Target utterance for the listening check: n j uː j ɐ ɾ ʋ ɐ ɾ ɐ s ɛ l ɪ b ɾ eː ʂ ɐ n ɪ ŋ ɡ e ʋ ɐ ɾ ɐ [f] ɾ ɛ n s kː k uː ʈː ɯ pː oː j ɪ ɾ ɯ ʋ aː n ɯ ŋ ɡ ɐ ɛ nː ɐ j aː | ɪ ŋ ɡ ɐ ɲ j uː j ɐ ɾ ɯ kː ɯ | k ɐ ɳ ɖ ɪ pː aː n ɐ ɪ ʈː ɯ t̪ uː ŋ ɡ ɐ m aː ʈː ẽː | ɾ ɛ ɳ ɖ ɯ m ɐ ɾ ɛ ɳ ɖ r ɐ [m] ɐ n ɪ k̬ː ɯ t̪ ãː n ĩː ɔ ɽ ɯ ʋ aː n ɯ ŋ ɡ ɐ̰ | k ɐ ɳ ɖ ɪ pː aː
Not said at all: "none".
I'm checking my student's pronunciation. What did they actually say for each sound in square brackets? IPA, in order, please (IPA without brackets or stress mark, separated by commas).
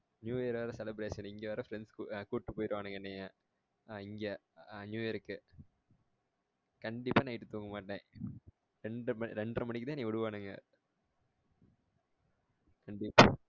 f, m